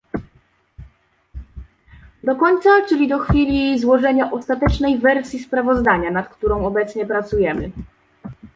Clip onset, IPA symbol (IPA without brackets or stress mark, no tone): d̪